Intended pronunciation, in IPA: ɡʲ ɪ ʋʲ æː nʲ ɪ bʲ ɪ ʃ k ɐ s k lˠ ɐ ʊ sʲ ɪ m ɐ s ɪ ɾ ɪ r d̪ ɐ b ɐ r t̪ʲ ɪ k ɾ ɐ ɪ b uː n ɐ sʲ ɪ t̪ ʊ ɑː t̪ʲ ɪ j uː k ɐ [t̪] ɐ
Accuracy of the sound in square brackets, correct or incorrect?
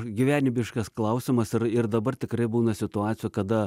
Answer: incorrect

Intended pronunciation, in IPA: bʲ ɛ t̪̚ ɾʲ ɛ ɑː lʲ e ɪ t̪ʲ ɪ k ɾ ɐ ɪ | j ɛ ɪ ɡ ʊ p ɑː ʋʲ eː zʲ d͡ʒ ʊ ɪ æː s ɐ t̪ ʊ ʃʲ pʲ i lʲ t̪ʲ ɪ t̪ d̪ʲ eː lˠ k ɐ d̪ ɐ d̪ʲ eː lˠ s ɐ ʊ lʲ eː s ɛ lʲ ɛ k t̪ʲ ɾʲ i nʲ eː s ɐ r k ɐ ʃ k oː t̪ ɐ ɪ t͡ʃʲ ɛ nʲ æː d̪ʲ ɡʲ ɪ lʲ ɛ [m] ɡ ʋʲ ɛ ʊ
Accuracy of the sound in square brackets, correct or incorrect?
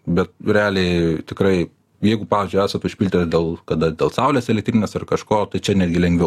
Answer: incorrect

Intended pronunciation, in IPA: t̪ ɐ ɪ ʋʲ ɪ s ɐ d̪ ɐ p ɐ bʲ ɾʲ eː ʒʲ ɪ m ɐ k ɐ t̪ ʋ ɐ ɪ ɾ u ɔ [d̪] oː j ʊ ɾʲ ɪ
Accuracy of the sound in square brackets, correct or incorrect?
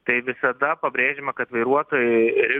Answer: incorrect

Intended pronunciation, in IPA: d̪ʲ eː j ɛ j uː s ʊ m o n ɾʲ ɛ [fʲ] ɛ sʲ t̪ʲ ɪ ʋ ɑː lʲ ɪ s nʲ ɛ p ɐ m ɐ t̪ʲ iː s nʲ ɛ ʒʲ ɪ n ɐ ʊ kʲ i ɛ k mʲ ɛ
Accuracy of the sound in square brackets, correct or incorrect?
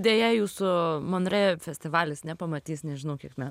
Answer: correct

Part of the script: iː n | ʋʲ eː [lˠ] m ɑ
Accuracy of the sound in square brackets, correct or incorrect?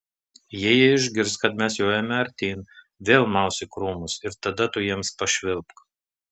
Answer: correct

